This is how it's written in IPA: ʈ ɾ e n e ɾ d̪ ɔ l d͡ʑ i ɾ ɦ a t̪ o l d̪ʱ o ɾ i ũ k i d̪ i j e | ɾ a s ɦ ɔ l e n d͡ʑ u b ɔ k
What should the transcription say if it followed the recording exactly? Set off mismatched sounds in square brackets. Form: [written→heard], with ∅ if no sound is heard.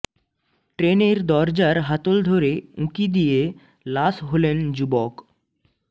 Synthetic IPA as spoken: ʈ ɾ e n e ɾ d̪ ɔ [l→ɾ] d͡ʑ [i→a] ɾ ɦ a t̪ o l d̪ʱ o ɾ [i→e] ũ k i d̪ i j e | [ɾ→l] a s ɦ [ɔ→o] l e n d͡ʑ u b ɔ k